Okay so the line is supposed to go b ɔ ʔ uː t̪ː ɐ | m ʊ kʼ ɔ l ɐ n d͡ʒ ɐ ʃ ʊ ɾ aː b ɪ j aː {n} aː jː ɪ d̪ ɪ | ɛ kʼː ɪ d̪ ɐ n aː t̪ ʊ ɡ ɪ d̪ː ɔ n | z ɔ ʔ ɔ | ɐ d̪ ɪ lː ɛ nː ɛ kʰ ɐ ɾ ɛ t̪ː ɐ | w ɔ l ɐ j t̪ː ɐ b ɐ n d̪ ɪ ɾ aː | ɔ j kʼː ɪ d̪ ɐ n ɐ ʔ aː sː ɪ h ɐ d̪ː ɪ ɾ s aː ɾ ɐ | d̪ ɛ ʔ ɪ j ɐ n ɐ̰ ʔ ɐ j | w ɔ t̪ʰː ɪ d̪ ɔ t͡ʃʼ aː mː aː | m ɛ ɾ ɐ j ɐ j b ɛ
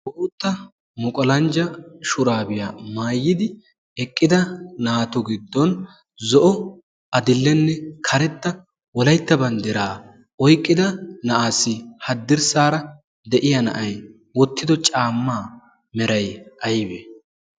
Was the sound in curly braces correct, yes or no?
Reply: no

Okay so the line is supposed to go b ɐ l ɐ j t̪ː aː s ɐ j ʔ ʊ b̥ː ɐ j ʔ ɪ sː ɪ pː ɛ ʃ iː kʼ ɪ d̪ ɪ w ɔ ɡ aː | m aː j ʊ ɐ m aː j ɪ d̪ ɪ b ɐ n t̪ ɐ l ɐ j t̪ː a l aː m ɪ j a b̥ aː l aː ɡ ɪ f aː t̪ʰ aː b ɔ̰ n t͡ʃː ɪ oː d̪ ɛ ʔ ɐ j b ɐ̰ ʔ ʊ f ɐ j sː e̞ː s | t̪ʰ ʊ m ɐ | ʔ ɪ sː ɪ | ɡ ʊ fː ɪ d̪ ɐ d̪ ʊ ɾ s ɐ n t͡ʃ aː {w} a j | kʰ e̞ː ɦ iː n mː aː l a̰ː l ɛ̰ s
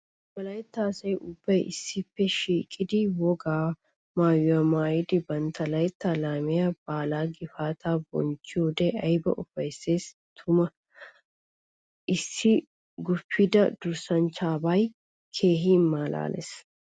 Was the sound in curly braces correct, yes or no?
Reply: no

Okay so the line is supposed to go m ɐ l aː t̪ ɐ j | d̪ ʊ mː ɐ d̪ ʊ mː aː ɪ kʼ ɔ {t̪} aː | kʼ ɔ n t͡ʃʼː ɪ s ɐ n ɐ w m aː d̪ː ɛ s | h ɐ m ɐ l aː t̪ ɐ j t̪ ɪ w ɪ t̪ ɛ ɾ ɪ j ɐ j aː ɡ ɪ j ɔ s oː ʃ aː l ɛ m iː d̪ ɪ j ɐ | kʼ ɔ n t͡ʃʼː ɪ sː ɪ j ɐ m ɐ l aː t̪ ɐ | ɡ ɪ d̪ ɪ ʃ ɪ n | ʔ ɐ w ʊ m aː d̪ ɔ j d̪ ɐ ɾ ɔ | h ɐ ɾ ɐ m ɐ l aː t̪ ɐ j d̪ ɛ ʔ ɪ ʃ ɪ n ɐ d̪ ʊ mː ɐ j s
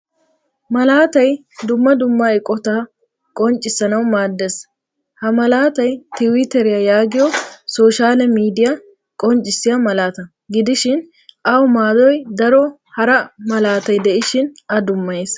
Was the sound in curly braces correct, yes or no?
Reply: yes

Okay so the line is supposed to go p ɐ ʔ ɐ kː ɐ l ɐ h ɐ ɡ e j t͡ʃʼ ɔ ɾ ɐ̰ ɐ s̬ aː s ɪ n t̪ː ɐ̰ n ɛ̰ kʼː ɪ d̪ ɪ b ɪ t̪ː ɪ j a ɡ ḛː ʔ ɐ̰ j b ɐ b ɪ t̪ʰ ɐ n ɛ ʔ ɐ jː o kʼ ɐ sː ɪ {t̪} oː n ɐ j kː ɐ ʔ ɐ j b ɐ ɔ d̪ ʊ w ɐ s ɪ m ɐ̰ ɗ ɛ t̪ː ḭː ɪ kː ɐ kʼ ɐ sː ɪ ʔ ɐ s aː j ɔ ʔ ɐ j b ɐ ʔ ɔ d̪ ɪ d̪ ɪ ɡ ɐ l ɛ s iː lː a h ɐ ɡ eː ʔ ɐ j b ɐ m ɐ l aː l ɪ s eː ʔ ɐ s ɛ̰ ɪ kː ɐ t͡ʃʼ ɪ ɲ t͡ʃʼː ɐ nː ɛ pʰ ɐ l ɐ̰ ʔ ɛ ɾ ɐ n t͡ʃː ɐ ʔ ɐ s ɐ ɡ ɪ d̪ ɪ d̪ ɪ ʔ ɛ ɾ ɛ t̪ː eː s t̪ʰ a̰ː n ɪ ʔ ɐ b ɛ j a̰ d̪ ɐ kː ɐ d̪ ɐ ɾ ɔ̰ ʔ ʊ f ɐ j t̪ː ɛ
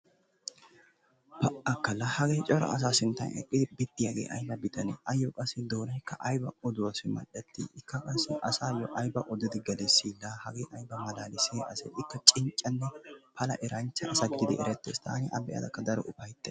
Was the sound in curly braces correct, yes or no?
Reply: no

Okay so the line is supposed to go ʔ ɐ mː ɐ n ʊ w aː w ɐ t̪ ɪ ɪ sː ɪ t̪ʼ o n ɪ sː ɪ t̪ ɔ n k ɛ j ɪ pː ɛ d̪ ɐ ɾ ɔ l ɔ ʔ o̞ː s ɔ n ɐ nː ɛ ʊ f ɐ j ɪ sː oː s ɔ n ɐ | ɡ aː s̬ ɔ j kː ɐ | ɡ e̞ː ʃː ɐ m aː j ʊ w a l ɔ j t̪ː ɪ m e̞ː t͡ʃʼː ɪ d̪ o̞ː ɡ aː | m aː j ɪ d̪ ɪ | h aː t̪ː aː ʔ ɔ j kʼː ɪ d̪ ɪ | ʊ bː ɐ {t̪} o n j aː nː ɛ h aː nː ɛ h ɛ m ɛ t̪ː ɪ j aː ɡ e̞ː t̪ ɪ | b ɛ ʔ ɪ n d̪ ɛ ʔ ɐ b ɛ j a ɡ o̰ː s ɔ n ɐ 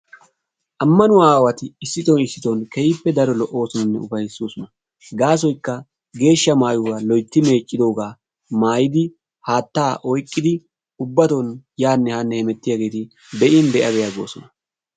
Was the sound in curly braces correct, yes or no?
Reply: yes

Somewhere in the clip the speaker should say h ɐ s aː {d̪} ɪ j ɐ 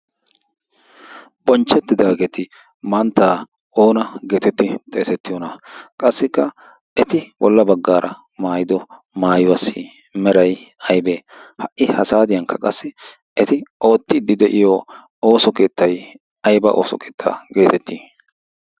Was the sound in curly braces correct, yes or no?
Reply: yes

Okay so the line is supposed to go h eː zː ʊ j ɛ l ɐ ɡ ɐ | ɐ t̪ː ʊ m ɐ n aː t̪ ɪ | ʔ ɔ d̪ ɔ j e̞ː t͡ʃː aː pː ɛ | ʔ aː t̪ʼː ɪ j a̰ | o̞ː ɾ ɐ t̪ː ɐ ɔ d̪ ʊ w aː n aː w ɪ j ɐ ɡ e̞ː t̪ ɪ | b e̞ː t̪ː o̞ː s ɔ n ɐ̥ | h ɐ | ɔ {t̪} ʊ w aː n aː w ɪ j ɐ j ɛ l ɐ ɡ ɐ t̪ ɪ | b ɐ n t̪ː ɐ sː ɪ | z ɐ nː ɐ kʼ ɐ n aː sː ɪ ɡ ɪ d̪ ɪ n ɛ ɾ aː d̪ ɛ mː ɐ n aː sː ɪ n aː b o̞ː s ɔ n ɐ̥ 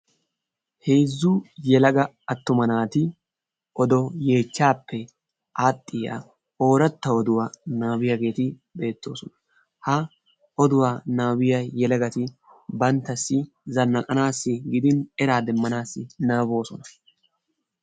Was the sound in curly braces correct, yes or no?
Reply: no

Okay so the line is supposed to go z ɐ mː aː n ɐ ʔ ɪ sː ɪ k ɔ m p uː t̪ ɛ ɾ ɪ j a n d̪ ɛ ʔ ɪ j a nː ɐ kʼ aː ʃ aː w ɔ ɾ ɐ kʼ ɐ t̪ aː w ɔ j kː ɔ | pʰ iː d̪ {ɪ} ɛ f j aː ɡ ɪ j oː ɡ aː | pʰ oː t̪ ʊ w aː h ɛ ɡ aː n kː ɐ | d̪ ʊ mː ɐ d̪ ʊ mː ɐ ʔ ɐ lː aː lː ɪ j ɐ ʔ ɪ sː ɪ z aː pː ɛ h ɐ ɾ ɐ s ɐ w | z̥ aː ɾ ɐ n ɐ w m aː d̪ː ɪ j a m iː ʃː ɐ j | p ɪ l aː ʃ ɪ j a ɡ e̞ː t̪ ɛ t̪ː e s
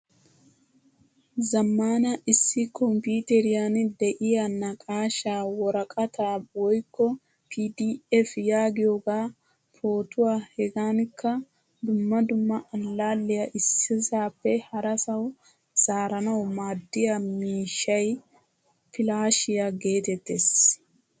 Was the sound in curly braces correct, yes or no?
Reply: no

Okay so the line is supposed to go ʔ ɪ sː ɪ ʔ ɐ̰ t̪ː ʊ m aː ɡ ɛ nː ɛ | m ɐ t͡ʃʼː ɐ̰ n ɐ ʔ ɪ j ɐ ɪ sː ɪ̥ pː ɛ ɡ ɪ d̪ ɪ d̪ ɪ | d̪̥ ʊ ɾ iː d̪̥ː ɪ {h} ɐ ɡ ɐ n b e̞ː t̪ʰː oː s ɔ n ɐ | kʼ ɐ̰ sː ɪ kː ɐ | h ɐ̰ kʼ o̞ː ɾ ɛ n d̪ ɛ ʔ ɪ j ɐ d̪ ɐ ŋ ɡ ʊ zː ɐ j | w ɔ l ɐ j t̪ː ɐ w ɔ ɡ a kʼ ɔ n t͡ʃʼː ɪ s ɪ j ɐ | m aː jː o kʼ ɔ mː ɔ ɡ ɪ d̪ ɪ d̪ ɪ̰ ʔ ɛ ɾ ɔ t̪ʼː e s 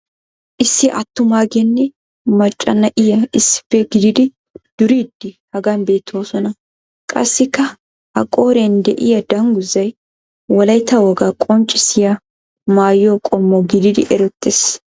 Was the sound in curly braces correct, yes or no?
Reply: yes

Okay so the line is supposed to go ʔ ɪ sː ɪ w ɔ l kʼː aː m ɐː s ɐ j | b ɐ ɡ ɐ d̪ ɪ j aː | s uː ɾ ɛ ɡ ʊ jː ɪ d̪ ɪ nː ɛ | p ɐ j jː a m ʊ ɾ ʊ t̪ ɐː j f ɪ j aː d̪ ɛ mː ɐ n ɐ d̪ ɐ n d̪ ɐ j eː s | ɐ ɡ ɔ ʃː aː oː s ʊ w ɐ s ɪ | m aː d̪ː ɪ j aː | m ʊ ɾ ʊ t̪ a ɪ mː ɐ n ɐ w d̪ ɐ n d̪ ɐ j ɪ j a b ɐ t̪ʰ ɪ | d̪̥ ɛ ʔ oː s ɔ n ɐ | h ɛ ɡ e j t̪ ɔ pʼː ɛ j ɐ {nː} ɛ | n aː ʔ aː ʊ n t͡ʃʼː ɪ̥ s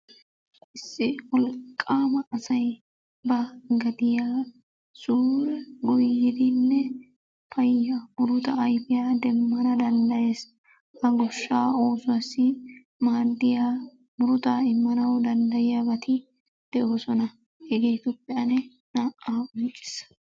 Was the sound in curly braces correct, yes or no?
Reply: no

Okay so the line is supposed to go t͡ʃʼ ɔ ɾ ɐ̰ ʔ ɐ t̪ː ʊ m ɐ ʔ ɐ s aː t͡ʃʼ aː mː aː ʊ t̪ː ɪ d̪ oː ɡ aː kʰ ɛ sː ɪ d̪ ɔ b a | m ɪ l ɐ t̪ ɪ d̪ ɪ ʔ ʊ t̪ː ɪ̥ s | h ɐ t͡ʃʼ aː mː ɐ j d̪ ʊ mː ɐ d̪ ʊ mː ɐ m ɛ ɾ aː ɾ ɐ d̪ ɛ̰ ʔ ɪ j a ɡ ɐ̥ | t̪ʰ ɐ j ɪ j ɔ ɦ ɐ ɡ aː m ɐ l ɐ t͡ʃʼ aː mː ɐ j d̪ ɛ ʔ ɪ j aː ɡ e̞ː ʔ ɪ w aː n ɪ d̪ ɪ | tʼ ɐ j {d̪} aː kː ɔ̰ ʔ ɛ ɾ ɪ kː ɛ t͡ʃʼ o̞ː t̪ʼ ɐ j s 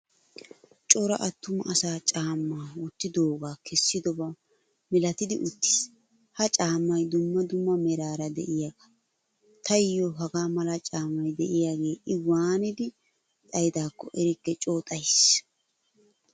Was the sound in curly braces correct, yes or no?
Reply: yes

